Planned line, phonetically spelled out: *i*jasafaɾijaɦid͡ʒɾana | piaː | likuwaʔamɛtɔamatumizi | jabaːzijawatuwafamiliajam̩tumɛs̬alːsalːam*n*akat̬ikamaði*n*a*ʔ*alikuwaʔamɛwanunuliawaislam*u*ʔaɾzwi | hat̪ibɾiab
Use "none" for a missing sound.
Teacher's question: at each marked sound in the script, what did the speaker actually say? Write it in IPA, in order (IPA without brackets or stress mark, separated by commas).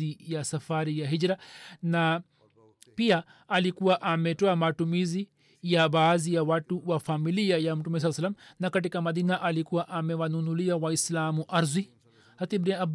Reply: i, n, n, ʔ, u